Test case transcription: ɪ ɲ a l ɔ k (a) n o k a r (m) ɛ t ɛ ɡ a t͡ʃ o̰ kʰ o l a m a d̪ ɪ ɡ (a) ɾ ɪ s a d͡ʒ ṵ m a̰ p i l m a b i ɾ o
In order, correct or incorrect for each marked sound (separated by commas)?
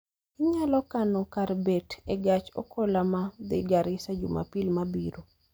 correct, incorrect, correct